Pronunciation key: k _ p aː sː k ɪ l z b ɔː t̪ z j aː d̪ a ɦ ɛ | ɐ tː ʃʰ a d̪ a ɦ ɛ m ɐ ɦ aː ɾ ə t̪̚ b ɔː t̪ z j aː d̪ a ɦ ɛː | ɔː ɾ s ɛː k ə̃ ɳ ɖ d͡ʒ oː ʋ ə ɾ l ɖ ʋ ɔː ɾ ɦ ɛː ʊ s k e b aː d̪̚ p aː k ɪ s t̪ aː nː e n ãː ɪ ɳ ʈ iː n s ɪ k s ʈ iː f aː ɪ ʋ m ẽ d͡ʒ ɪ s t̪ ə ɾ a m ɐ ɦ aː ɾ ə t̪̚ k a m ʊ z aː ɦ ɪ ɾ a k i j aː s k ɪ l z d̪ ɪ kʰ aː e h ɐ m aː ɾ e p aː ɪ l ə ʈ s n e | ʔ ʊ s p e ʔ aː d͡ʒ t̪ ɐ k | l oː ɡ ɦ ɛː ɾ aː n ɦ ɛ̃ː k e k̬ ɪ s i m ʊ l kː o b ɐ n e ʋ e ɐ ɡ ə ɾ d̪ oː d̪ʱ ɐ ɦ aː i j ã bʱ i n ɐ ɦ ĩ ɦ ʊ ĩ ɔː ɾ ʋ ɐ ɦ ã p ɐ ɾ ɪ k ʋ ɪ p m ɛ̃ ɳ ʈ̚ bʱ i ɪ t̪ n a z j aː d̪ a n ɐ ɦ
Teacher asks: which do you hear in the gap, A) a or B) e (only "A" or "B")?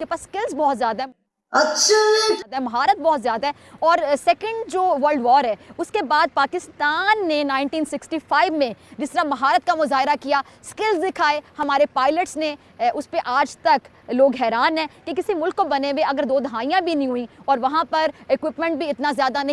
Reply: B